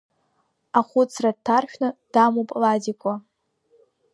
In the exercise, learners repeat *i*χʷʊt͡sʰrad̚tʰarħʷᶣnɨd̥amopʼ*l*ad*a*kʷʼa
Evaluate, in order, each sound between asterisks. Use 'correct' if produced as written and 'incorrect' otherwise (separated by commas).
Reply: incorrect, correct, incorrect